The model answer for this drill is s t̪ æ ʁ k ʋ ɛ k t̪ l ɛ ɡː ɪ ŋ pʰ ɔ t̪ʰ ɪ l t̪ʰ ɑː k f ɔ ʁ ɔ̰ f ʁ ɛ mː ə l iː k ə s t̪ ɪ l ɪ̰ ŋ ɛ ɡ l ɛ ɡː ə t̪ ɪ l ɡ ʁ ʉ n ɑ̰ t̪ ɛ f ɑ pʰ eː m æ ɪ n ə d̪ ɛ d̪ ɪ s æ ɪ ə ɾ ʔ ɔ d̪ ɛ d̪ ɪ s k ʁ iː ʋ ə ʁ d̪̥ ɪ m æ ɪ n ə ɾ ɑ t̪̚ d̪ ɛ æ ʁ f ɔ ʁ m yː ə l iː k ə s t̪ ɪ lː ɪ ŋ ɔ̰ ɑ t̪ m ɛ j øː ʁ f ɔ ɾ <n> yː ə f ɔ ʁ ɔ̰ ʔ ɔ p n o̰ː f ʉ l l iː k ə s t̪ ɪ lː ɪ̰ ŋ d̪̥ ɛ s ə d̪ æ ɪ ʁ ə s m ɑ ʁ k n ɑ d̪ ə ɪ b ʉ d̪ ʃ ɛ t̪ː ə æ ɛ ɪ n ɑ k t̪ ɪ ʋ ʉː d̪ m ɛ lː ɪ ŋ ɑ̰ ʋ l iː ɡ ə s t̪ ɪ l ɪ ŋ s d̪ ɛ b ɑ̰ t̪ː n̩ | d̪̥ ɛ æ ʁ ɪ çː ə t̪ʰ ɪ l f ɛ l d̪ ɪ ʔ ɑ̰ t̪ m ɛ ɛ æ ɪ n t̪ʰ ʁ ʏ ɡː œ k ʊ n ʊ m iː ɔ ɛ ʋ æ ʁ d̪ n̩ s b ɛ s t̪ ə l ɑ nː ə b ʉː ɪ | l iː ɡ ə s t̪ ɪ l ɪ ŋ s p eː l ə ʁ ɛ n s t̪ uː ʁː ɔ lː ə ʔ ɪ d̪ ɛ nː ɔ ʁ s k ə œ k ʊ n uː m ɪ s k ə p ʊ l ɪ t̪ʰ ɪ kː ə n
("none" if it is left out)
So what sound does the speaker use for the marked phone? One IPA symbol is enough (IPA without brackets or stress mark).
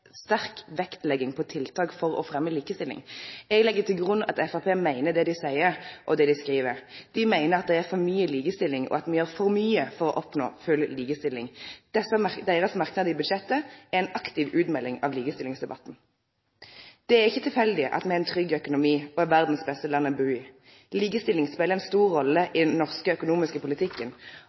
m